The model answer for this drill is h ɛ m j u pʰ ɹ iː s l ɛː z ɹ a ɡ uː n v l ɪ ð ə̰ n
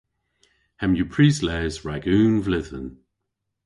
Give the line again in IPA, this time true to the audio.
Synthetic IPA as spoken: h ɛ m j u pʰ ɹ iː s l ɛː z ɹ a ɡ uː n v l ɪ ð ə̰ n